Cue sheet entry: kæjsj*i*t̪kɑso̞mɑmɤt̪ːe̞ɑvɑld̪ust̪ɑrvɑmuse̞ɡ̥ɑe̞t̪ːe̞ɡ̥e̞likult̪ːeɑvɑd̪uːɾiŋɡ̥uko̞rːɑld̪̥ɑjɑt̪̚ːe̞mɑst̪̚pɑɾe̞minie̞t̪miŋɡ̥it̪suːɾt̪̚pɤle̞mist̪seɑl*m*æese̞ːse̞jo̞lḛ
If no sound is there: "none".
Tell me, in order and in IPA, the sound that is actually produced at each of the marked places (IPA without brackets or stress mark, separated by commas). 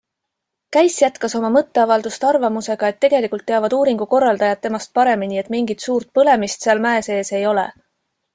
æ, m